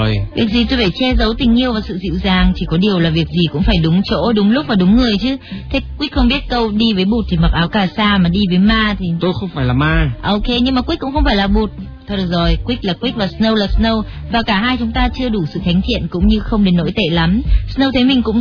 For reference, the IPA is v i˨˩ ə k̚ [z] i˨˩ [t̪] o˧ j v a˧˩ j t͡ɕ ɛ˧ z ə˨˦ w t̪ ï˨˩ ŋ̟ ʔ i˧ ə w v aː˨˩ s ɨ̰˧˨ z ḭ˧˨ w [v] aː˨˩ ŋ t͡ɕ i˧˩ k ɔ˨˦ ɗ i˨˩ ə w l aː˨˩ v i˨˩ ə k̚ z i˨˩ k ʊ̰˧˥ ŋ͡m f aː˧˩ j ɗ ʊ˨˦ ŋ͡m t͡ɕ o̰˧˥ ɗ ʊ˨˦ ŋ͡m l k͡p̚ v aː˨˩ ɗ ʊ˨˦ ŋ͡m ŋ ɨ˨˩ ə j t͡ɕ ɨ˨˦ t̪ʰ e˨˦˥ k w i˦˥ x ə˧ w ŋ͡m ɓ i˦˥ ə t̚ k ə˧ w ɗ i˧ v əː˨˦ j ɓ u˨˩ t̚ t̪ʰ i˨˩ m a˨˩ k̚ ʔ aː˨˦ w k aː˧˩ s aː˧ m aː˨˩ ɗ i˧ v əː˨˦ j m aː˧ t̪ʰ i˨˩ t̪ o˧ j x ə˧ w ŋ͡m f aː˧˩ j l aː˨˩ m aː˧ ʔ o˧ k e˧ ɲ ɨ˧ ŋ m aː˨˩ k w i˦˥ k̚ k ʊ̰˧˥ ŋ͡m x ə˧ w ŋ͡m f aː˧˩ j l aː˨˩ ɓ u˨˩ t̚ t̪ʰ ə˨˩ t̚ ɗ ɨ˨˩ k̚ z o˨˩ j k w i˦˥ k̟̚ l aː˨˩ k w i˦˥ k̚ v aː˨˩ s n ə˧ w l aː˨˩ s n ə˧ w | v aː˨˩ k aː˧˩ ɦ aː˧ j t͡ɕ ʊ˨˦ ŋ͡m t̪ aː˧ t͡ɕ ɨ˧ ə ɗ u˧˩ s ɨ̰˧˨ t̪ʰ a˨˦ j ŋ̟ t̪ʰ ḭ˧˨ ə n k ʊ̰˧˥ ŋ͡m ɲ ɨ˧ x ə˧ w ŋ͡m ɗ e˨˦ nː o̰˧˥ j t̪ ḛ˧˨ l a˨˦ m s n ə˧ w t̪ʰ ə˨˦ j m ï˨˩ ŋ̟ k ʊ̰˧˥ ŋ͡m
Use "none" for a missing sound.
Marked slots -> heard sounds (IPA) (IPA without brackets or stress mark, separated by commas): z, t̪, z